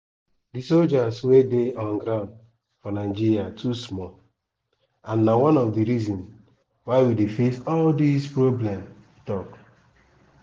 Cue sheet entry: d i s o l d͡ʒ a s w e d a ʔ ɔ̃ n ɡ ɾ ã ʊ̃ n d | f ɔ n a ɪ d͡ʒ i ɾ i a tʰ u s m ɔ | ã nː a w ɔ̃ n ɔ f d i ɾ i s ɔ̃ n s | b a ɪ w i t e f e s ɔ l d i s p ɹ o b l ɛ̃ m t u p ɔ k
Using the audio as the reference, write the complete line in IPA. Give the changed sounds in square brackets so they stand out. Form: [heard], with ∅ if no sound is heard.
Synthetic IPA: d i s o l d͡ʒ a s w e d [e] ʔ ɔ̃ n ɡ ɾ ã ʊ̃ n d | f ɔ n a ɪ d͡ʒ i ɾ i a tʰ u s m ɔ | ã nː a w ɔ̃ n ɔ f d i ɾ i [z] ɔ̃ n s | [w] a ɪ w i [d] e f e s ɔ l d i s p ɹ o b l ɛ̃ m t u [t] ɔ k